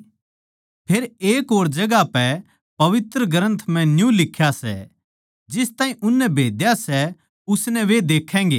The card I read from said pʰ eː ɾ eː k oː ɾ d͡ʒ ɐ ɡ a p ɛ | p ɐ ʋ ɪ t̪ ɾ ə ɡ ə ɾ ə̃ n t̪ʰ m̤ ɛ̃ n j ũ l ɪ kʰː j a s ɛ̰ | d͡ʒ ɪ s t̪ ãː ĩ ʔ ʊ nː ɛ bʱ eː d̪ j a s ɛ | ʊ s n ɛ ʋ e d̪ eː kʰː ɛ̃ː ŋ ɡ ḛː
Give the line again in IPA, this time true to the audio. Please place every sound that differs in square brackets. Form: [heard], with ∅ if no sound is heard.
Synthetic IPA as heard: pʰ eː ɾ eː k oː ɾ d͡ʒ ɐ ɡ a p ɛ | p ɐ ʋ ɪ t̪ ɾ ə ɡ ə ɾ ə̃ n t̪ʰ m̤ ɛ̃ n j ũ l ɪ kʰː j a s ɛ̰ | d͡ʒ ɪ s t̪ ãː ĩ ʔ ʊ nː ɛ bʱ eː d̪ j a s ɛ | ʊ s n ɛ ʋ e d̪ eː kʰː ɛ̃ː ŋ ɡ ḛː